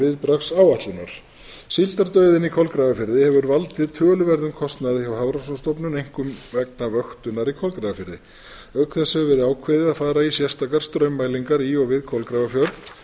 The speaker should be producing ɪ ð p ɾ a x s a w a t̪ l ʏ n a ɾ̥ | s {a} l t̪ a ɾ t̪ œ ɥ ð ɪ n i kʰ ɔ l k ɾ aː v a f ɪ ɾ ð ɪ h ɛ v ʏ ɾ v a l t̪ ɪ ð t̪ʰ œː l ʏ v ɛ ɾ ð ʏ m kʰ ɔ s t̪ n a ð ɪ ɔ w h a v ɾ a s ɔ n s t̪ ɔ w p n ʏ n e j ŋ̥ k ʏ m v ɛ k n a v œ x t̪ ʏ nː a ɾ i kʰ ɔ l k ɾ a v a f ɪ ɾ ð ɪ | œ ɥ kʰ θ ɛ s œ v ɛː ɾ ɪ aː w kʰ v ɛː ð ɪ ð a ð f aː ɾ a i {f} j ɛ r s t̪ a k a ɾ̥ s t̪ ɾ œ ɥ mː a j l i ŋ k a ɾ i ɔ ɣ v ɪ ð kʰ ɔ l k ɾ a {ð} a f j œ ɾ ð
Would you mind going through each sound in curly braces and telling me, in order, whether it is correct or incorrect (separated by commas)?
incorrect, incorrect, incorrect